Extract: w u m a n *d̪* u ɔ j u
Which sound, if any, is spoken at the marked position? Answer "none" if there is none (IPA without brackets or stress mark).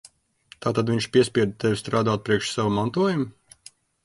t̪